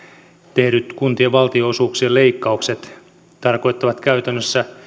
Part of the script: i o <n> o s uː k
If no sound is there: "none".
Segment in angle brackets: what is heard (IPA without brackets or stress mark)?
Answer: none